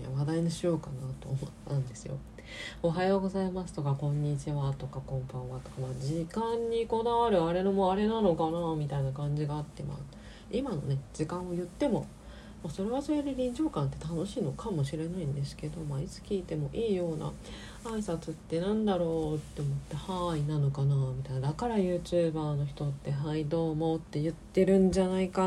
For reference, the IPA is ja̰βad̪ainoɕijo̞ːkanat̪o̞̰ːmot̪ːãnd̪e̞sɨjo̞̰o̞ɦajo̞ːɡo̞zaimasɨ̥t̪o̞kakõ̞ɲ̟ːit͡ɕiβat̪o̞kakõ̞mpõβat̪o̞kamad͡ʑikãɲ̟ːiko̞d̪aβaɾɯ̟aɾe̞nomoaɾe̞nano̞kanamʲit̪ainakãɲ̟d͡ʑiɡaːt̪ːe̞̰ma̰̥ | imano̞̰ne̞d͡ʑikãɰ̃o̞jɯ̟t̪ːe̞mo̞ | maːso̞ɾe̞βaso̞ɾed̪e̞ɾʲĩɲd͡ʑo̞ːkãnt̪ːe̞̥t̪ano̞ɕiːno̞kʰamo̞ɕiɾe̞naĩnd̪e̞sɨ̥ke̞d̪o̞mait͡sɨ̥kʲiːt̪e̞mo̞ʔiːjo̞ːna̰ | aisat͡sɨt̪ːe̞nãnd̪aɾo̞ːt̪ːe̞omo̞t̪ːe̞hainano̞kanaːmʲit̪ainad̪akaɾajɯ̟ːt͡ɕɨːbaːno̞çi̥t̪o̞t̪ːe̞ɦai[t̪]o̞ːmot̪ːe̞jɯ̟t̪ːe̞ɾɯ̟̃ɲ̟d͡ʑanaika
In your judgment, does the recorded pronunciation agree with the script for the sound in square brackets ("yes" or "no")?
no